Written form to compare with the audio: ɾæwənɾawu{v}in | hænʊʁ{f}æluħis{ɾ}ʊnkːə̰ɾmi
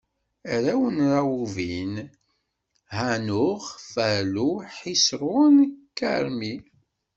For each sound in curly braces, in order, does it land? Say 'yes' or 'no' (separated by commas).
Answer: yes, yes, yes